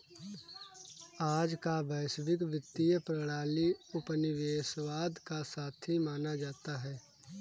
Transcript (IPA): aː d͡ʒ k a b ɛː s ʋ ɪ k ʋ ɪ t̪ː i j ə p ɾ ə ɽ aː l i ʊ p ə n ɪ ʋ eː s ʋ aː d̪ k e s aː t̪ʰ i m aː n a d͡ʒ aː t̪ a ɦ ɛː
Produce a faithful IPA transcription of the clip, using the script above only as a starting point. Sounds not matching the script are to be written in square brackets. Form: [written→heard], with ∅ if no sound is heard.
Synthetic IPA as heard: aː d͡ʒ k a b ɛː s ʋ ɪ k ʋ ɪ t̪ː i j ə p ɾ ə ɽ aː l i ʊ p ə n ɪ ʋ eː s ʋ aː d̪ k [e→a] s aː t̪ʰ i m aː n a d͡ʒ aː t̪ a ɦ ɛː